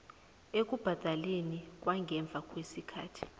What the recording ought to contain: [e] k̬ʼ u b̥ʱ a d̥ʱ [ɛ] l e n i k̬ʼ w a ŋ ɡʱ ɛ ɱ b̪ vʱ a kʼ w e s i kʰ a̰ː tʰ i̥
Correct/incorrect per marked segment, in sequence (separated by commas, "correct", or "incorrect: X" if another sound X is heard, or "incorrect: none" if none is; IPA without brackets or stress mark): correct, incorrect: a